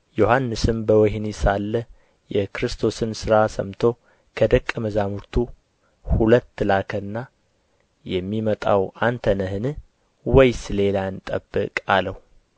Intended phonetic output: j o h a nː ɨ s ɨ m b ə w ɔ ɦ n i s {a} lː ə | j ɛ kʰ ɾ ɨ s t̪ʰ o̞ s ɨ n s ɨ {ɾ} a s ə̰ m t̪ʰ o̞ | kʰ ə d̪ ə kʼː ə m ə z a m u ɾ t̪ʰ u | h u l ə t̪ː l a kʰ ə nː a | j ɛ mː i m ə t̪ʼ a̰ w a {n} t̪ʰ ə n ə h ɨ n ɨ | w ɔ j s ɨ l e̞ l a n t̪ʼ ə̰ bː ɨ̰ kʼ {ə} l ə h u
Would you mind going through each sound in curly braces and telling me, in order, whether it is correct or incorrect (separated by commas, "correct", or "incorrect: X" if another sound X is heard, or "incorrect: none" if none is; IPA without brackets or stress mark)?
correct, correct, correct, incorrect: a